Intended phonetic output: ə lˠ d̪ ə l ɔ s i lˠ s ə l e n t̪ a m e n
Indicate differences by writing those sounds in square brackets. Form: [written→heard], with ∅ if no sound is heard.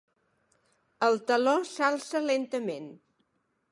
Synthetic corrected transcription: ə lˠ [d̪→t̪] ə l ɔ s [i→a] lˠ s ə l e n t̪ [a→ə] m e n